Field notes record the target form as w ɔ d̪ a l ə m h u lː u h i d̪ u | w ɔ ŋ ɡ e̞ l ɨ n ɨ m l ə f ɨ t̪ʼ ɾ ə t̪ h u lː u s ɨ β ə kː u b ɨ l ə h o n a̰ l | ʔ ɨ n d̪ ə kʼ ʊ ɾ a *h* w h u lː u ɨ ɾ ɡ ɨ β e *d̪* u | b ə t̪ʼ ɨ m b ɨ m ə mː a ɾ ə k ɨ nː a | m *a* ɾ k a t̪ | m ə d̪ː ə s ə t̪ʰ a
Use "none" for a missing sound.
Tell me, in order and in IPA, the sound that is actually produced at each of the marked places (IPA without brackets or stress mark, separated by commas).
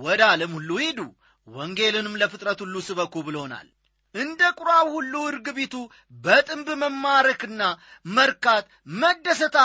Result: none, t̪, ə